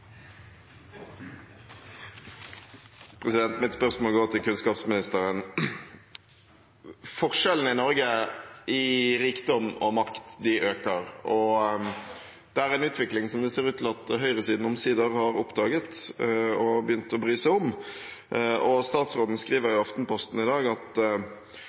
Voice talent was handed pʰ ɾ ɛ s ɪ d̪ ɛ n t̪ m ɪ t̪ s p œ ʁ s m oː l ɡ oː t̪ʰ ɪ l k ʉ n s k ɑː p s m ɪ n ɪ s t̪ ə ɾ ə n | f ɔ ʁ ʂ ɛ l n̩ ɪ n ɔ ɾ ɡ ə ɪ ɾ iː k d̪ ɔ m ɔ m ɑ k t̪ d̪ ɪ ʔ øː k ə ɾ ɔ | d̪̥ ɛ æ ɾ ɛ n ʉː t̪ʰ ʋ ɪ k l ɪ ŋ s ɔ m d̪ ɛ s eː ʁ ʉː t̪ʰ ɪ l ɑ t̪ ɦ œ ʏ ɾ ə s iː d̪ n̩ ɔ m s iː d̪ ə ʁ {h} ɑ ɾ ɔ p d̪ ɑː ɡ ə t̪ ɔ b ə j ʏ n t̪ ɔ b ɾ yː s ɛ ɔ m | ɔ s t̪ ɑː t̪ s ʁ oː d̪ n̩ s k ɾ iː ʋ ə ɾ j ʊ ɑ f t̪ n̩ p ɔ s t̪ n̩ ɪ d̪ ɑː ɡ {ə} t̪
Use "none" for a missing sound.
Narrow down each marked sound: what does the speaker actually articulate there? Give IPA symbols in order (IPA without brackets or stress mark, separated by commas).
h, ɑ